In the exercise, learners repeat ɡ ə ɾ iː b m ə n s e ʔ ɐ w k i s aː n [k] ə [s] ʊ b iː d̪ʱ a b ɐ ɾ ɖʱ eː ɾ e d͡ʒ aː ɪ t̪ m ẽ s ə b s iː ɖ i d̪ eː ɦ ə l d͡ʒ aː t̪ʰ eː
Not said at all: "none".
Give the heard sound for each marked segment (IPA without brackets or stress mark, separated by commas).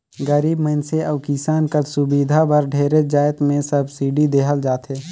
k, s